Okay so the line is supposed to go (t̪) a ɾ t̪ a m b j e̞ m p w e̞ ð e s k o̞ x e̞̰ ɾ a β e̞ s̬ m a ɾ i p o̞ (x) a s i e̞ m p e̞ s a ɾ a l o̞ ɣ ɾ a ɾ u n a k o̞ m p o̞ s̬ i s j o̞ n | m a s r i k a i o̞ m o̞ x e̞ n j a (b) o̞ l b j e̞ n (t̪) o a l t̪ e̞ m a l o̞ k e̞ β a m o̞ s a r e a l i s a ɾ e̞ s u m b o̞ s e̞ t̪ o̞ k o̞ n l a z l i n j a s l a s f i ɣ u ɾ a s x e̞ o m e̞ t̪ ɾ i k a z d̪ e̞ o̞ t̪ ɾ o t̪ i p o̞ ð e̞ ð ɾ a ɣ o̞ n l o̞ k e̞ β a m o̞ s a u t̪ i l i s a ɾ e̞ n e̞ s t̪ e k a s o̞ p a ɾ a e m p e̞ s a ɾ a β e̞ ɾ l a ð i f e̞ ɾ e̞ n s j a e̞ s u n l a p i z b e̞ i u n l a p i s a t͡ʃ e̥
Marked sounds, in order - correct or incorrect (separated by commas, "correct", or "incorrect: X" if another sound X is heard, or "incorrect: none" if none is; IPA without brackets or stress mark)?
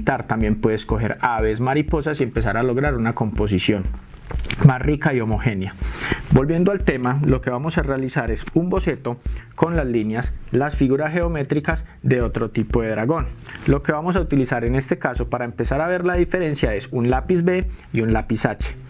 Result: correct, incorrect: s, correct, incorrect: d̪